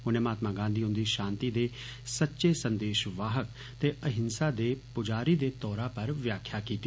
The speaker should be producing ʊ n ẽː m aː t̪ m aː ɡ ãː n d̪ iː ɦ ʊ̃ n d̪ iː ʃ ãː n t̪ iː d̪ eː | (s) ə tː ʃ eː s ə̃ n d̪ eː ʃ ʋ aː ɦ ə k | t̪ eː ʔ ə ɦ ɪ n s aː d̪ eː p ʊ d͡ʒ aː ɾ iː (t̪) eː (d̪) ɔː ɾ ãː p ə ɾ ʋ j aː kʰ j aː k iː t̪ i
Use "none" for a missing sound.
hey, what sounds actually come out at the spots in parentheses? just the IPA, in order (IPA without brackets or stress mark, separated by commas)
s, d̪, t̪